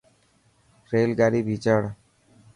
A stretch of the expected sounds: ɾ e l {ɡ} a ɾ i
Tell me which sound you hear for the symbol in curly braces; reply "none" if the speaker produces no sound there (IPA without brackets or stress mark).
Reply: ɡ